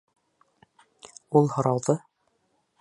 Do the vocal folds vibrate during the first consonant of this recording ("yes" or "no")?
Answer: yes